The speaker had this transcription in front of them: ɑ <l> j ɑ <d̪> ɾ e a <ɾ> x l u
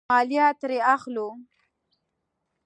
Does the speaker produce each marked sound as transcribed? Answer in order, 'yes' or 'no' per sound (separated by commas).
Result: yes, no, no